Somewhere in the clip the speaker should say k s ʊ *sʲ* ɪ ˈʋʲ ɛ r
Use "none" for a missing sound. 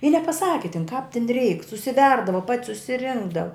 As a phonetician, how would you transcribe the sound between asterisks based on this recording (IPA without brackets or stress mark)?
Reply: sʲ